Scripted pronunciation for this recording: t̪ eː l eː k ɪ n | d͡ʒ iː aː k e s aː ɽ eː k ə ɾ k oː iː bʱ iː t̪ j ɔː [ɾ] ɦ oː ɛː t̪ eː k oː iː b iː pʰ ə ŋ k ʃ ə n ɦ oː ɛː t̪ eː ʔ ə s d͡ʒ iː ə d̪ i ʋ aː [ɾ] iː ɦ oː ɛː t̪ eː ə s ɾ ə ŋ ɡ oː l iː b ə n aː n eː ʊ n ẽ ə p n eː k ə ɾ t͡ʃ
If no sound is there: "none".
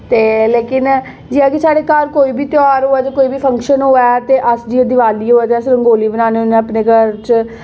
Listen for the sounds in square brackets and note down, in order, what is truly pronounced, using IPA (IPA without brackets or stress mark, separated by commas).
ɾ, l